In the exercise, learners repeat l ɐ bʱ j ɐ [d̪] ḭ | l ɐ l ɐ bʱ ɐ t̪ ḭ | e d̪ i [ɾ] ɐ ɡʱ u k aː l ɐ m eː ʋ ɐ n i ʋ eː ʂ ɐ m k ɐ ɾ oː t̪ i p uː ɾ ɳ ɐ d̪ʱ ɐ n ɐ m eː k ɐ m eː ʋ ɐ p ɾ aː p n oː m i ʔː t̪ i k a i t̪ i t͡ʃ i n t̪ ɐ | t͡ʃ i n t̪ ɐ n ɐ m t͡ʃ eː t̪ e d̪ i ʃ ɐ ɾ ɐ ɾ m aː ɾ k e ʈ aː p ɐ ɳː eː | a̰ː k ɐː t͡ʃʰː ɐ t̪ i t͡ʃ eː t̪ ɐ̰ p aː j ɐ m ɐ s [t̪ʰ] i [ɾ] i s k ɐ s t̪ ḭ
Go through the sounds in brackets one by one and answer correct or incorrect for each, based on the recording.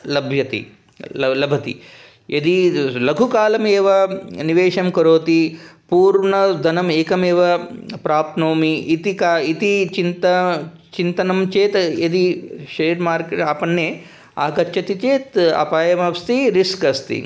incorrect: t̪, incorrect: l, incorrect: t̪, correct

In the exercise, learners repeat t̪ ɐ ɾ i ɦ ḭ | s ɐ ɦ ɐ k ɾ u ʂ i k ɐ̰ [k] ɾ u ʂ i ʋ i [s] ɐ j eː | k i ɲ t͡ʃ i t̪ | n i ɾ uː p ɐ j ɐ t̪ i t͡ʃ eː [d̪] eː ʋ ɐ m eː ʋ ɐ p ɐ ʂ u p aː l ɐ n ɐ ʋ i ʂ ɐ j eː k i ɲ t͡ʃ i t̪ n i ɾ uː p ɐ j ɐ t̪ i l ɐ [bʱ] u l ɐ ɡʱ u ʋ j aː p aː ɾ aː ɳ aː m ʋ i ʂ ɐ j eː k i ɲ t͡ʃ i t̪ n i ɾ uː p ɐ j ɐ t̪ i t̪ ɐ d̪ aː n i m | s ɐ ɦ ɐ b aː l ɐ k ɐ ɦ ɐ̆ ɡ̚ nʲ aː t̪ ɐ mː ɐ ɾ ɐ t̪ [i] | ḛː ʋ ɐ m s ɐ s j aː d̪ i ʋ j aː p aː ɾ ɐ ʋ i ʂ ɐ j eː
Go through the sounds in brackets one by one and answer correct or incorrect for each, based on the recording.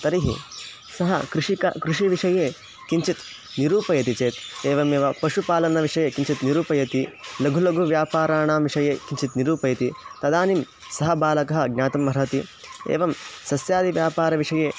correct, incorrect: ʂ, incorrect: t̪, incorrect: ɡʱ, correct

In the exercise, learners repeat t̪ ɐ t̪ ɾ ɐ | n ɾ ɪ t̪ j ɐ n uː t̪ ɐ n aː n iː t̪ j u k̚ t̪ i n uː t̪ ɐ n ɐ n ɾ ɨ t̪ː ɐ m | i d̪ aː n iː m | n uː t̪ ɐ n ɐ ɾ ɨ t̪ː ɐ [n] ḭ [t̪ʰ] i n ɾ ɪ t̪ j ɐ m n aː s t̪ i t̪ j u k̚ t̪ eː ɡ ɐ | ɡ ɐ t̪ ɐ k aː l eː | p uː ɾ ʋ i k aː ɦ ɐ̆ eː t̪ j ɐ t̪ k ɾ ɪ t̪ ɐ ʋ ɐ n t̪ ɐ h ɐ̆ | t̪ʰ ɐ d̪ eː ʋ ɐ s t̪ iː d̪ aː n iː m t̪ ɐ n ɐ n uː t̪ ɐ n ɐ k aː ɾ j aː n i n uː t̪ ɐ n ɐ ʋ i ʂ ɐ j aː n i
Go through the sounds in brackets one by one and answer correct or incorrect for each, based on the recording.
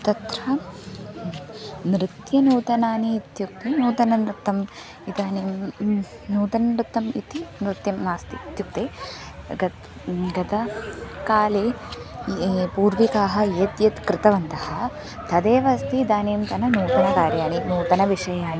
incorrect: m, incorrect: t̪

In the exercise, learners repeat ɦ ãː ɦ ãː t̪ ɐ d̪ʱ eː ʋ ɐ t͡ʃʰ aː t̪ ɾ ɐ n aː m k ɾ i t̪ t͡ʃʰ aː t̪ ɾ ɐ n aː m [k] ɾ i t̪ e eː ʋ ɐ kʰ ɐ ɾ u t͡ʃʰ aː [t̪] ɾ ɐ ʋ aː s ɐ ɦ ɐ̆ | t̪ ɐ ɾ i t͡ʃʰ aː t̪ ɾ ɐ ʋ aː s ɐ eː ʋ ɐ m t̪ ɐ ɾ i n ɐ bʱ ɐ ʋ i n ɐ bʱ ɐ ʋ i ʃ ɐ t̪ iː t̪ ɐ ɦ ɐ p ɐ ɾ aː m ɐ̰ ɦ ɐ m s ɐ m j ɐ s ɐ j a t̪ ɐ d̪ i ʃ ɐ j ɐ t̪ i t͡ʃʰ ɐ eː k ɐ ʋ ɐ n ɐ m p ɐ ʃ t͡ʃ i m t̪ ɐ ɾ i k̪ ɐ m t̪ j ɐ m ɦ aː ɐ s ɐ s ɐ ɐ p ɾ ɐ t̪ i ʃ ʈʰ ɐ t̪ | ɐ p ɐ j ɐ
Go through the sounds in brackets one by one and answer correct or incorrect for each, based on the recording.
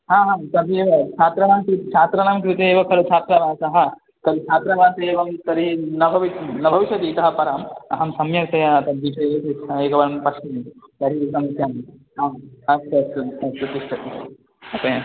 correct, correct

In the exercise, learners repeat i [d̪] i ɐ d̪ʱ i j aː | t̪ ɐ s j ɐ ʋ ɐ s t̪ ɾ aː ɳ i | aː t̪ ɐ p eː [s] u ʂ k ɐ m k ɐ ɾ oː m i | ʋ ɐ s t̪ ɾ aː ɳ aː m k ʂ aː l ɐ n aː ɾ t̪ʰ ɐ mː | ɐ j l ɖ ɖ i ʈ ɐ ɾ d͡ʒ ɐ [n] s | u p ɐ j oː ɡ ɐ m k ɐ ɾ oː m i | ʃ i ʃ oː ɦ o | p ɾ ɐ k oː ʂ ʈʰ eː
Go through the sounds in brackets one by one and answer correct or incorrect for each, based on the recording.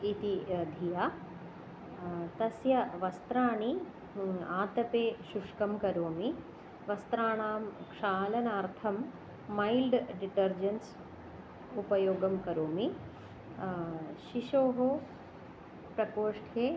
incorrect: t̪, incorrect: ʃ, correct

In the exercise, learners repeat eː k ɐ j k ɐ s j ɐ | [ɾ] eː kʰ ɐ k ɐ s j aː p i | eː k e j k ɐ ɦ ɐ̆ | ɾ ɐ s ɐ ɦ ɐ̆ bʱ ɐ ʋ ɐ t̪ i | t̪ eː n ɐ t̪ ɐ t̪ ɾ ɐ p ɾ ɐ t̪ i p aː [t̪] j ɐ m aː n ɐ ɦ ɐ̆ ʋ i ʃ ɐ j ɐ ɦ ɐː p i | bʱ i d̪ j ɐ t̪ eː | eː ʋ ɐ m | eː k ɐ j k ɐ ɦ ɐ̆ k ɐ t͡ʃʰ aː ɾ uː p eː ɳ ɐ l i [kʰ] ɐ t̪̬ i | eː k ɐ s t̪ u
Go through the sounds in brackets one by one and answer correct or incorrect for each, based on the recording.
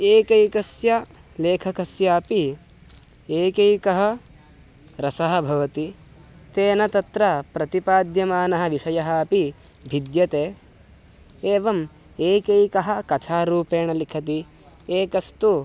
incorrect: l, incorrect: d̪, correct

